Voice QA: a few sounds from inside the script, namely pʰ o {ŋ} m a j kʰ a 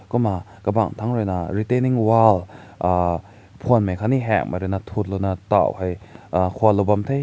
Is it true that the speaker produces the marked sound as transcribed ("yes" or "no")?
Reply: no